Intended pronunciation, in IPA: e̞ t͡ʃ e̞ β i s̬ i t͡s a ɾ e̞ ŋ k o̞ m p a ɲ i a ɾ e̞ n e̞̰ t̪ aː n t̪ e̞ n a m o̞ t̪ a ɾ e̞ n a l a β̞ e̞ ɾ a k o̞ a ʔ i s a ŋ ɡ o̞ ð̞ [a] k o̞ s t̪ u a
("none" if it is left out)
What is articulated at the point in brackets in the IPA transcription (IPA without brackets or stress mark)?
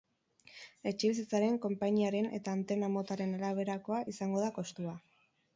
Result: a